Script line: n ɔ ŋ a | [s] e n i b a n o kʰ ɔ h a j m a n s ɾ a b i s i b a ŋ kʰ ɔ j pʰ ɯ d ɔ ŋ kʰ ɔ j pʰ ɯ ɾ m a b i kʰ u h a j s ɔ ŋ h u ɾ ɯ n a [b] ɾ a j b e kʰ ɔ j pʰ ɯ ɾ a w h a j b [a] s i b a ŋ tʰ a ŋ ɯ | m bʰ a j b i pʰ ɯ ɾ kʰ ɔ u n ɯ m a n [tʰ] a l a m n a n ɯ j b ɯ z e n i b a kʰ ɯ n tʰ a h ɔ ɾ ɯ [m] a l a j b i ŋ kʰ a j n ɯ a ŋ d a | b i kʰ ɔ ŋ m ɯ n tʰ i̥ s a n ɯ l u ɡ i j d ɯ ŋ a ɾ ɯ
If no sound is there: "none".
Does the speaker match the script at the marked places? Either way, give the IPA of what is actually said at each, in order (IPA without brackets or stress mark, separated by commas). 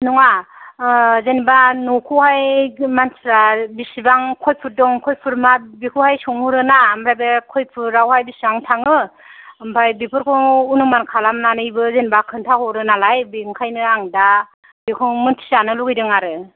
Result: z, m, i, kʰ, n